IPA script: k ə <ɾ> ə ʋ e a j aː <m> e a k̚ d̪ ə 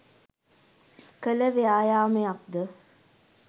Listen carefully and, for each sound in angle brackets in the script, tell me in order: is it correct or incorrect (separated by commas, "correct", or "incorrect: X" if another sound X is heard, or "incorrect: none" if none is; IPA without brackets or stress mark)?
incorrect: l, correct